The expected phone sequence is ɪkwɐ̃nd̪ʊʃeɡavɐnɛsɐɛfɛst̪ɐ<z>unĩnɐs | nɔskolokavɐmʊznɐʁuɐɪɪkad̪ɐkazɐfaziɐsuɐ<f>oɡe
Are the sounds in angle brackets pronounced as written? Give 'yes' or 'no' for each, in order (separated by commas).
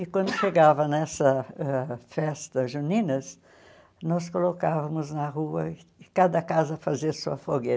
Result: no, yes